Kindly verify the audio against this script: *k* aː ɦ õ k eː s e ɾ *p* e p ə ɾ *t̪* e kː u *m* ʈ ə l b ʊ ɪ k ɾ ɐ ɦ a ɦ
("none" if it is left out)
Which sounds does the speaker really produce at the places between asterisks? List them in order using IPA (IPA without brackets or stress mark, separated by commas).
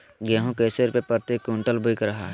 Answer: ɡ, p, t̪, ɳ